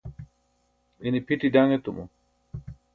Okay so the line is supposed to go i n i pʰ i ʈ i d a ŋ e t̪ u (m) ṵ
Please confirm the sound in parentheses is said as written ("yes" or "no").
yes